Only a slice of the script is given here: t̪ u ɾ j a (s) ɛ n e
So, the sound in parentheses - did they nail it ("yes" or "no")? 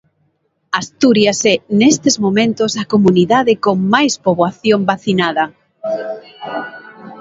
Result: yes